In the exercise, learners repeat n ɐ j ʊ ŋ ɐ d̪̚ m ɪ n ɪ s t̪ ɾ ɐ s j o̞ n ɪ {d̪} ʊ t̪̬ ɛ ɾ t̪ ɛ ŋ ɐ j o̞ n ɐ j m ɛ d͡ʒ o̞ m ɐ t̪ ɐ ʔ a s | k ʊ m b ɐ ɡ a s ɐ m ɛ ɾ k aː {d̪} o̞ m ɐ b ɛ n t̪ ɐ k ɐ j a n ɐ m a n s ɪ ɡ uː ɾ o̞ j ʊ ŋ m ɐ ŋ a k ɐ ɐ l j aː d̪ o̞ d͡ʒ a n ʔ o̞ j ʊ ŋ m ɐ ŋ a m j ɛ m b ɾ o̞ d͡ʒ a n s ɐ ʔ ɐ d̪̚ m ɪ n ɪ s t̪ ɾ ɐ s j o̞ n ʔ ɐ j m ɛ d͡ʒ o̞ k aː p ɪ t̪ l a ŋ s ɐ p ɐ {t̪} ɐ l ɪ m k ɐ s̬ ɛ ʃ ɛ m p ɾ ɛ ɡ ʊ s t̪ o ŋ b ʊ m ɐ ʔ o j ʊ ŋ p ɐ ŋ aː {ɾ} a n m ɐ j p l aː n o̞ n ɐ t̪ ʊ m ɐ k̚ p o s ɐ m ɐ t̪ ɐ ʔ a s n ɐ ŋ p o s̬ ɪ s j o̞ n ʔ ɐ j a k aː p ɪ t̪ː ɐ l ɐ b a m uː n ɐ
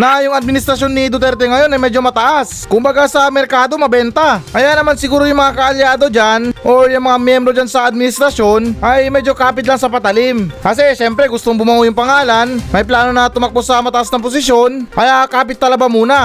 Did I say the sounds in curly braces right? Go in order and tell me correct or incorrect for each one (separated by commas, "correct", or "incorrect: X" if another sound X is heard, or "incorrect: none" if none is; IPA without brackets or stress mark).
correct, correct, correct, incorrect: l